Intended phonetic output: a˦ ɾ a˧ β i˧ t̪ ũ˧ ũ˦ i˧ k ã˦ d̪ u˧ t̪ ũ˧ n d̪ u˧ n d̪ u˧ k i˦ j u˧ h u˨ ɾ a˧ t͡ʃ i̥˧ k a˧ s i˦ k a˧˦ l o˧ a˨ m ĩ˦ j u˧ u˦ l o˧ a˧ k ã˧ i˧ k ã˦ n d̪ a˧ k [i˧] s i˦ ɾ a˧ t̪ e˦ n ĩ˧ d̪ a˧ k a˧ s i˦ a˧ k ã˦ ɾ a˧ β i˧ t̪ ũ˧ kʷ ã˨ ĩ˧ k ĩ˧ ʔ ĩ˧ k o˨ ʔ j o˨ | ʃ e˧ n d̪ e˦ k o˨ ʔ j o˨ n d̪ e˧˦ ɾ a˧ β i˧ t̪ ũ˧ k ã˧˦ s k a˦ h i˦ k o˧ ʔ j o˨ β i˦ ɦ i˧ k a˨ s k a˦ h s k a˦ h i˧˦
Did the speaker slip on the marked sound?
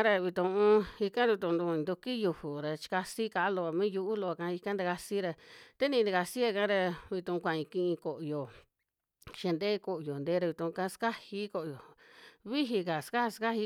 yes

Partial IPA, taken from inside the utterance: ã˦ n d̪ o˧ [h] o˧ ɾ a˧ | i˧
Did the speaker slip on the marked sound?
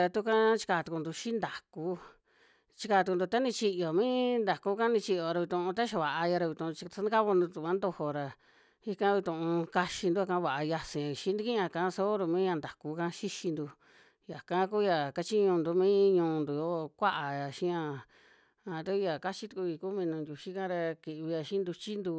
no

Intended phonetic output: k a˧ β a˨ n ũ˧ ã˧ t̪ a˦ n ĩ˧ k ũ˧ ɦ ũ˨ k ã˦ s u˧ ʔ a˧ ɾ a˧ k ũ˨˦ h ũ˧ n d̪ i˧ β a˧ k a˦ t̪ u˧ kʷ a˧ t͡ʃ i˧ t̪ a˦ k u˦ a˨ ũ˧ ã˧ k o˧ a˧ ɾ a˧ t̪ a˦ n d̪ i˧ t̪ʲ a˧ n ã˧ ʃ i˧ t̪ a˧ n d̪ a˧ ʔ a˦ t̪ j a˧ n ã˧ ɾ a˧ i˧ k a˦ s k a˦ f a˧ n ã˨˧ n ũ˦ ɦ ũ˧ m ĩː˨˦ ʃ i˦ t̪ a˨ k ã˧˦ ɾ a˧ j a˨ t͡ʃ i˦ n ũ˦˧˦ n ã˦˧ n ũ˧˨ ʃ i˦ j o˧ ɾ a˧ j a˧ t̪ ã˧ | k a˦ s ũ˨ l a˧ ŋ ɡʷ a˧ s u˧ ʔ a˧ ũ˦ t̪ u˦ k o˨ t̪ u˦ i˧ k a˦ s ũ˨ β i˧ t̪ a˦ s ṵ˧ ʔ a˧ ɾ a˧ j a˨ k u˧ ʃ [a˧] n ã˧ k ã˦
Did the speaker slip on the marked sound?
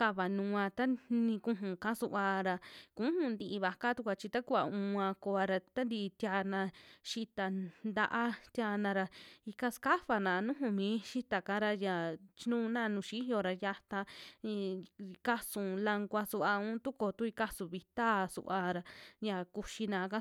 yes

